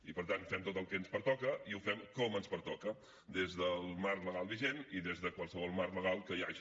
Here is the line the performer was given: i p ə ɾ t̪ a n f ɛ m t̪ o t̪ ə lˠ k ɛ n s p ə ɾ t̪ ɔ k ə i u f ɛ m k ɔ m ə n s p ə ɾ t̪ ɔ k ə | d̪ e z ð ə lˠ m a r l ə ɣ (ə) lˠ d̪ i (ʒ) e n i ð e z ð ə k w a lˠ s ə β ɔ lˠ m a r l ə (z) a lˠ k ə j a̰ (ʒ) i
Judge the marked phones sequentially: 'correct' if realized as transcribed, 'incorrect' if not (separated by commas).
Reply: incorrect, correct, incorrect, correct